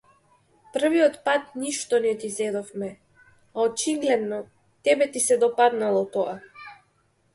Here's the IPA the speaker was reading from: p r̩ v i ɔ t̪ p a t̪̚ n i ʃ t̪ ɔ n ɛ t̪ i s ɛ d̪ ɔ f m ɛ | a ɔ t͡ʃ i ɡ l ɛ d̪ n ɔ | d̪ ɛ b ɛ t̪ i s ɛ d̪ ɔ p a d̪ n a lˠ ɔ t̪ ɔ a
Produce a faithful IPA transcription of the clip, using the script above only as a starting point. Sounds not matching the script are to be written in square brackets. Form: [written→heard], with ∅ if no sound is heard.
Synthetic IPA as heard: p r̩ v i ɔ t̪ p a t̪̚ n i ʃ t̪ ɔ n ɛ t̪ i [s→z] ɛ d̪ ɔ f m ɛ | a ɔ t͡ʃ i ɡ l ɛ d̪ n ɔ | [d̪→t̪] ɛ b ɛ t̪ i s ɛ d̪ ɔ p a d̪ n a lˠ ɔ t̪ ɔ a